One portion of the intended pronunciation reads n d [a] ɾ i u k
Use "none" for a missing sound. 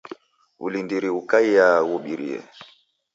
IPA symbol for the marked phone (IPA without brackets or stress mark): i